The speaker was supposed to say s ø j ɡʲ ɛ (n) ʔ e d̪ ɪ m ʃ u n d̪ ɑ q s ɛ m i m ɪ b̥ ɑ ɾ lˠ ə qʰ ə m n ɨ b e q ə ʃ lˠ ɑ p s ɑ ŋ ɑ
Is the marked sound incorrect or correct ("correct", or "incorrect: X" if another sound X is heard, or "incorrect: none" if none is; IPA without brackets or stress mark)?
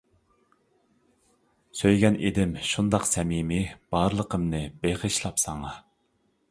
correct